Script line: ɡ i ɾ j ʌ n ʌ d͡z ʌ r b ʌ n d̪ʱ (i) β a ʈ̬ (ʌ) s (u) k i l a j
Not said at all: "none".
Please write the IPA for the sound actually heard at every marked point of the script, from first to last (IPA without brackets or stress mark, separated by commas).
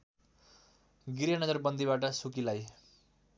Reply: i, ʌ, u